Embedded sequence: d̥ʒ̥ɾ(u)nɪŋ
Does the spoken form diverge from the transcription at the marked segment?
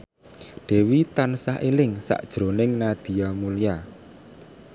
yes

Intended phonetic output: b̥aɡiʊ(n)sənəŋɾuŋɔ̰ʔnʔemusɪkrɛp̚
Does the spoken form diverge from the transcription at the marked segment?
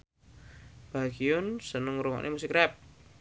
no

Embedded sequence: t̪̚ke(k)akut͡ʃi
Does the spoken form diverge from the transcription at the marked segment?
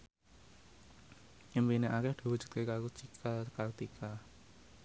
no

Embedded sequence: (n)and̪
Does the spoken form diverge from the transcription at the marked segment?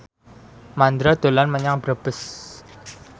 yes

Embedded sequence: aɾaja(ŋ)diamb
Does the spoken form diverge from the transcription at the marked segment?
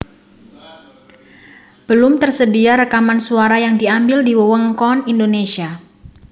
no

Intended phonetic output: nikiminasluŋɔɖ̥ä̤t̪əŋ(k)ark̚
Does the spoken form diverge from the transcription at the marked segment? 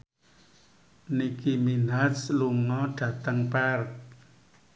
yes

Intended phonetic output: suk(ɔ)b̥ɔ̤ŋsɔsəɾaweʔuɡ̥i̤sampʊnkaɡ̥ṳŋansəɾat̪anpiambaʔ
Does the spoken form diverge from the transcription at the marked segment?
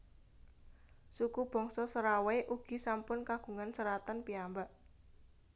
yes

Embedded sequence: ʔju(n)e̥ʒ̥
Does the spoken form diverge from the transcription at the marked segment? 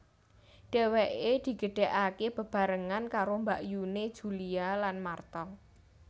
no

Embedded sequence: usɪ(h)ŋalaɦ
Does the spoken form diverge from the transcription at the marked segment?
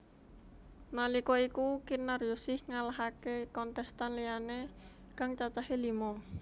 no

